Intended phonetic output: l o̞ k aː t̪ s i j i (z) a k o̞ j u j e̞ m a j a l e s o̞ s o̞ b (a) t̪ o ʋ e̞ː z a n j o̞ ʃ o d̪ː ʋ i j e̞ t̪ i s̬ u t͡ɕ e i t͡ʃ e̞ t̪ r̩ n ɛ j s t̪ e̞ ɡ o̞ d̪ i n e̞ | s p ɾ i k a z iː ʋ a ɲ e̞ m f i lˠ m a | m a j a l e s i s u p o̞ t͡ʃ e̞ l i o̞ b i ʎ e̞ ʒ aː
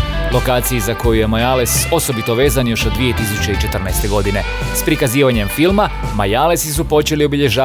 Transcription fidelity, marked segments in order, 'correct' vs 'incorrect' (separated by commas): correct, incorrect